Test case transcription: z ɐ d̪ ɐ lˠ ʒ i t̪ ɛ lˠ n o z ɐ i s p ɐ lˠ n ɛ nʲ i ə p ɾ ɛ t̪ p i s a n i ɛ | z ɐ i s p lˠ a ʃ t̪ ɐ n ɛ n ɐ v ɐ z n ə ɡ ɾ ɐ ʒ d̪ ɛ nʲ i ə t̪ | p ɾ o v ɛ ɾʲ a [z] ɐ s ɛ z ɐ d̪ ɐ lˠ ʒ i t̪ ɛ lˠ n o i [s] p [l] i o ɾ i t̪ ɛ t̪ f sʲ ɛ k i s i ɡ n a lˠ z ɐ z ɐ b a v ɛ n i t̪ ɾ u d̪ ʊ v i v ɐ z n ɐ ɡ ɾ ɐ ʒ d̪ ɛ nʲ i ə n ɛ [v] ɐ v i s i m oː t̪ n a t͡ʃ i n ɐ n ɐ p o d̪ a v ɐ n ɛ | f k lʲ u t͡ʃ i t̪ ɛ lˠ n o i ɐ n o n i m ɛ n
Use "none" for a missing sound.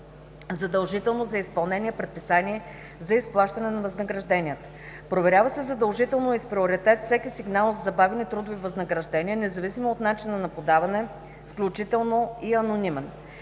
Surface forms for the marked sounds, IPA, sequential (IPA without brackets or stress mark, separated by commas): v, s, ɾ, z